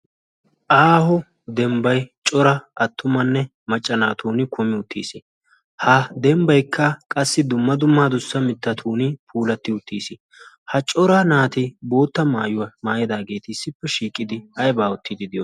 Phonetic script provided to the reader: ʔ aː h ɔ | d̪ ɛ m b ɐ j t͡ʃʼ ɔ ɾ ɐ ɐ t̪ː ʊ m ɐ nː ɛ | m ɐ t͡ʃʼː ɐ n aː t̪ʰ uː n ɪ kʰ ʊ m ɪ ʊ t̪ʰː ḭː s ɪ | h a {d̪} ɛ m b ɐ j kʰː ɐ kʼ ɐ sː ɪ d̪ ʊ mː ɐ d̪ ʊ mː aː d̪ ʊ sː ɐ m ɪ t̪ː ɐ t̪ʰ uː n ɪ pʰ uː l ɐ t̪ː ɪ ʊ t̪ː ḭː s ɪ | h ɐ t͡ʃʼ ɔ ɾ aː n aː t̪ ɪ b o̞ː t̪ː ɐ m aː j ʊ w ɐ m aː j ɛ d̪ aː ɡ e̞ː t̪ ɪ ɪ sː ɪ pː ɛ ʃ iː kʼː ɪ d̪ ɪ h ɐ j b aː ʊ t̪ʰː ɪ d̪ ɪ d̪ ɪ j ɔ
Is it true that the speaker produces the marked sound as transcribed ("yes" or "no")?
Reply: yes